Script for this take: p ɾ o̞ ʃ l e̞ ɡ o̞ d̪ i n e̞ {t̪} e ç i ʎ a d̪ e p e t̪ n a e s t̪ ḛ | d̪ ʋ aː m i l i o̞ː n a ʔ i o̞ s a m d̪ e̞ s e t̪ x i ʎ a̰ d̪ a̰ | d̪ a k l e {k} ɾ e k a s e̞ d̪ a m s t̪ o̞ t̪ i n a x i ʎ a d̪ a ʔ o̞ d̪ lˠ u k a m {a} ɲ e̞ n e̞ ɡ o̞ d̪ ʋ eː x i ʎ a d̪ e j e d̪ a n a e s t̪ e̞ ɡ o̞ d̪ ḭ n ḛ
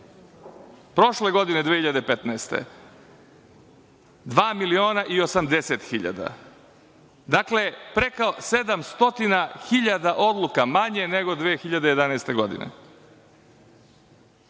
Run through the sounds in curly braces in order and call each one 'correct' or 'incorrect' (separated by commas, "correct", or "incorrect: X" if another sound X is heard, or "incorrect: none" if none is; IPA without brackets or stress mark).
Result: incorrect: d̪, incorrect: p, correct